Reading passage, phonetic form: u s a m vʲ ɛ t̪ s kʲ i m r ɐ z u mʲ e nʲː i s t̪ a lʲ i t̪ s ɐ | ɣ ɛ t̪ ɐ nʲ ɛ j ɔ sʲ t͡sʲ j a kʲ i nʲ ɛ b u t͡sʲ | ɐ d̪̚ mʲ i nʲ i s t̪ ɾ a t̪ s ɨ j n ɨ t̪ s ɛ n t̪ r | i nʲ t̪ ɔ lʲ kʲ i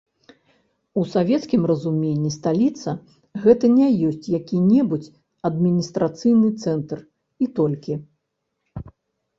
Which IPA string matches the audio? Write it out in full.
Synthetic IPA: u s a vʲ ɛ t̪ s kʲ i m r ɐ z u mʲ e nʲː i s t̪ a lʲ i t̪ s ɐ | ɣ ɛ t̪ ɐ nʲ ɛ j ɔ sʲ t͡sʲ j a kʲ i nʲ ɛ b u t͡sʲ | ɐ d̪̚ mʲ i nʲ i s t̪ ɾ a t̪ s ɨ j n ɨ t̪ s ɛ n t̪ r | i t̪ ɔ lʲ kʲ i